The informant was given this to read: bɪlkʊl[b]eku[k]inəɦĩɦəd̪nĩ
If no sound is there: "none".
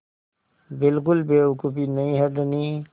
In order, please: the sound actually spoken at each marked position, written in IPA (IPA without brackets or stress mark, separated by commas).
b, p